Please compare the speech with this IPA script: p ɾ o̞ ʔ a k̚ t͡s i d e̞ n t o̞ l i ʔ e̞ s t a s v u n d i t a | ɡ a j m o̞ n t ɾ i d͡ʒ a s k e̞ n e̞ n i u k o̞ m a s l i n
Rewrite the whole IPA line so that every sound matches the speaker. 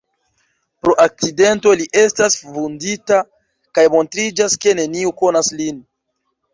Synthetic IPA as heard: p ɾ o̞ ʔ a k̚ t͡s i d e̞ n t o̞ l i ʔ e̞ s t a s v u n d i t a | k a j m o̞ n t ɾ i d͡ʒ a s k e̞ n e̞ n i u k o̞ n a s l i n